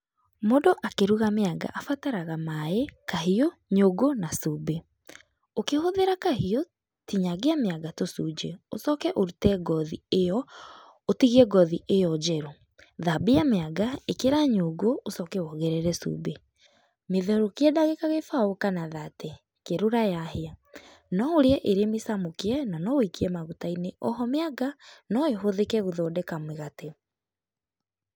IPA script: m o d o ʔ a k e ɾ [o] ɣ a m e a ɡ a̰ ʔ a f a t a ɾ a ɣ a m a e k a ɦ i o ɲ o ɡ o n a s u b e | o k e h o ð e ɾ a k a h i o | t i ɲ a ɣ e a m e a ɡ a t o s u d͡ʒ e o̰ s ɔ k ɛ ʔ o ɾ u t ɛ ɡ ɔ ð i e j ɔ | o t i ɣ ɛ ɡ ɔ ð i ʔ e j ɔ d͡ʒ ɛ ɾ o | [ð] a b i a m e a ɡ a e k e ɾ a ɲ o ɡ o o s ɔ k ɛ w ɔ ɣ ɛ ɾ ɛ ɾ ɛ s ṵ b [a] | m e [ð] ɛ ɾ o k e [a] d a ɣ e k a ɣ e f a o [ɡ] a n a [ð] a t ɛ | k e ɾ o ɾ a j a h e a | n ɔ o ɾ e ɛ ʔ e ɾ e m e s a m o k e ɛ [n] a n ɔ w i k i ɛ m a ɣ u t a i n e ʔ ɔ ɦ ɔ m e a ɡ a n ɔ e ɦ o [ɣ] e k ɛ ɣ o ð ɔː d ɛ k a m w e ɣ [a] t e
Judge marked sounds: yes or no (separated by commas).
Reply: no, yes, no, yes, no, no, yes, yes, no, yes